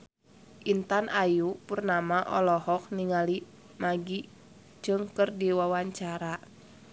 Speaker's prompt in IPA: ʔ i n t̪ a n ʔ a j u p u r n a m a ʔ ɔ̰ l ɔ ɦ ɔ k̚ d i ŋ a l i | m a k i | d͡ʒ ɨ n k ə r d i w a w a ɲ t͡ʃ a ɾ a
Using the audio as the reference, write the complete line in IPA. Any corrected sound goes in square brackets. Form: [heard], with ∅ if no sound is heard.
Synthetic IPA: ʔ i n t̪ a n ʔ a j u p u r n a m a ʔ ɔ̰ l ɔ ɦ ɔ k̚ [n] i ŋ a l i | m a [ɡ] i | d͡ʒ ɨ [ŋ] k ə r d i w a w a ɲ t͡ʃ a ɾ a